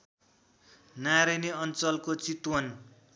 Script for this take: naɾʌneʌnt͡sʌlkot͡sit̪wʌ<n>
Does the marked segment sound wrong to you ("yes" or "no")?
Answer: no